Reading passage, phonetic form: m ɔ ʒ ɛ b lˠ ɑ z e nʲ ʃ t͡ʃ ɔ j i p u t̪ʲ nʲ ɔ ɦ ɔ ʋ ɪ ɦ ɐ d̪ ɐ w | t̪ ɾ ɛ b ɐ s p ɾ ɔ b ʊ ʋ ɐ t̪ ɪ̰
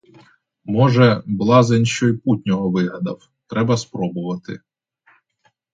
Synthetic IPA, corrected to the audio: m ɔ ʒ ɛ b lˠ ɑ z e nʲ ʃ t͡ʃ ɔ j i p u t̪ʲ nʲ ɔ ɦ ɔ ʋ ɪ ɦ ɐ d̪ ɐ w | t̪ ɾ ɛ b ɐ s p ɾ ɔ b ʊ ʋ ɐ t̪ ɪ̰